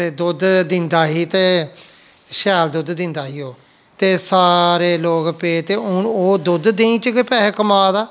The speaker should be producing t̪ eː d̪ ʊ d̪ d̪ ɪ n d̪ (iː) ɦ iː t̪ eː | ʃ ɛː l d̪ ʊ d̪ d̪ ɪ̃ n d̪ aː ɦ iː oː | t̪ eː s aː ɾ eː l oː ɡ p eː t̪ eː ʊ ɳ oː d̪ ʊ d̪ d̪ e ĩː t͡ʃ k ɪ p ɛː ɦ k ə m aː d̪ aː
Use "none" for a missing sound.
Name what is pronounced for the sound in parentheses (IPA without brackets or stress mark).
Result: aː